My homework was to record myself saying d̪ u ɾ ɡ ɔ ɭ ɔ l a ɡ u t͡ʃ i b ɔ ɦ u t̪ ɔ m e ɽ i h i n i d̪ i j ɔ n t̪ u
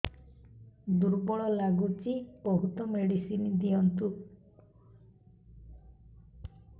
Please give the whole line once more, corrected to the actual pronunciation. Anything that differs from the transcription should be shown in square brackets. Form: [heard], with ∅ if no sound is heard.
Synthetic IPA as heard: d̪ u ɾ [b] ɔ ɭ ɔ l a ɡ u t͡ʃ i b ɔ ɦ u t̪ ɔ m e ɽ i [s] i n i d̪ i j ɔ n t̪ u